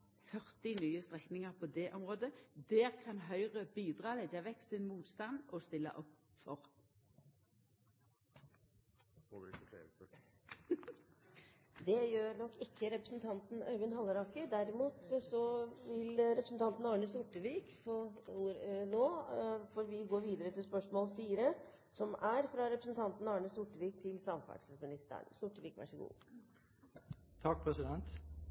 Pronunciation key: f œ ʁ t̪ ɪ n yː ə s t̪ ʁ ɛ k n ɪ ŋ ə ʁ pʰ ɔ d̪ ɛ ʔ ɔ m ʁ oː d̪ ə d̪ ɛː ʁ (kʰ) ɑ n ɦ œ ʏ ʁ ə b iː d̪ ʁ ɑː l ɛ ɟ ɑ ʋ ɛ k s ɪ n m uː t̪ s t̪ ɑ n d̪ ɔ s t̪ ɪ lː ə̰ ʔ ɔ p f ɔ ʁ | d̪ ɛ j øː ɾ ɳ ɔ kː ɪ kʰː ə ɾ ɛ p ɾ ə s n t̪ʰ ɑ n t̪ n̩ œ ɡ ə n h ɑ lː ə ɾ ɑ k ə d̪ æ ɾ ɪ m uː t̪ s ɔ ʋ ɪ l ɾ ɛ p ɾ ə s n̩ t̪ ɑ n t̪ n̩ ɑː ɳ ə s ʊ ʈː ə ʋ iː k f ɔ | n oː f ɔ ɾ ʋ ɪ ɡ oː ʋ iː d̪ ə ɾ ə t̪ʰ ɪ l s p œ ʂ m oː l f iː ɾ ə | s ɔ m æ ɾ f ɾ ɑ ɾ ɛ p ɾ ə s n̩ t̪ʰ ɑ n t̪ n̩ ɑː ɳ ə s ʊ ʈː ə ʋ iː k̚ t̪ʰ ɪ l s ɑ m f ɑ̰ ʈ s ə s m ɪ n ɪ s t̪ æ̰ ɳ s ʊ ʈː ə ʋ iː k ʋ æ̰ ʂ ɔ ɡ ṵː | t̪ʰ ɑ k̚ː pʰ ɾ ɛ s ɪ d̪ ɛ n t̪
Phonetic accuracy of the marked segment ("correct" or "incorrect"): correct